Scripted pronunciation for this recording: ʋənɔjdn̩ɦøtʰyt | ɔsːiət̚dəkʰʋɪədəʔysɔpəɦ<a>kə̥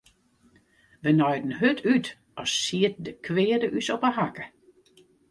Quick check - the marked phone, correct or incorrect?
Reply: correct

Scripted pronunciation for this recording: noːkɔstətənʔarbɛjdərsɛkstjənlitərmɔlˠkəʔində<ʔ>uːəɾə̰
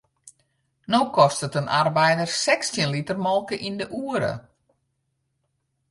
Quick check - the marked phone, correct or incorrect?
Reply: correct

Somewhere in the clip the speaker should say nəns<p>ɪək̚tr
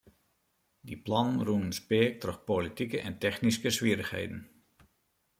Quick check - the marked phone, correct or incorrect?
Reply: correct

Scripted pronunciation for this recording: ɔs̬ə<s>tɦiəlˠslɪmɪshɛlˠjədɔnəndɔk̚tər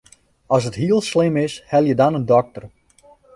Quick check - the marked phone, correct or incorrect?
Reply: incorrect: none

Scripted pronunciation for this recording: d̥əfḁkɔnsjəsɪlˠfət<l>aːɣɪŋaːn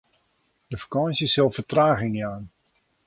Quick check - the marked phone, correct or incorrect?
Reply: incorrect: r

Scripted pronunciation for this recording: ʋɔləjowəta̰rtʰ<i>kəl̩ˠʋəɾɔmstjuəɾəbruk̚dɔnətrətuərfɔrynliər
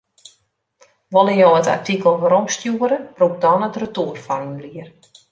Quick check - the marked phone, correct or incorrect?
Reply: correct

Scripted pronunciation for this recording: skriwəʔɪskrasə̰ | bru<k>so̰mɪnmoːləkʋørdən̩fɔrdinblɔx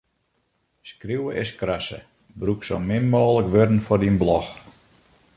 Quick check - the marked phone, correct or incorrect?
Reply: correct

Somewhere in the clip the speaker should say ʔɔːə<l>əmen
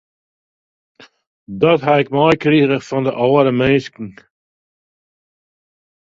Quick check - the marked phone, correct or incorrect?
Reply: incorrect: ɾ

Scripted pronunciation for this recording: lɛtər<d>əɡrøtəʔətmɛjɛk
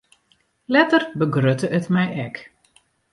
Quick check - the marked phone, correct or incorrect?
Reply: incorrect: b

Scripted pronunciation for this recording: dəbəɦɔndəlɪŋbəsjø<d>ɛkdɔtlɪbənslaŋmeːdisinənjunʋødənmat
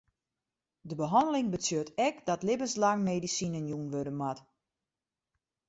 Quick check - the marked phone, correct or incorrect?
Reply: incorrect: t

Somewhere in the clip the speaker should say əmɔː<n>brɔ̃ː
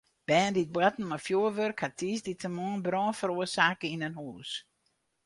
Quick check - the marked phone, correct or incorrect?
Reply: correct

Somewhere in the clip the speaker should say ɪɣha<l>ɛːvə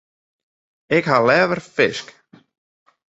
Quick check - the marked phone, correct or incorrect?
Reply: correct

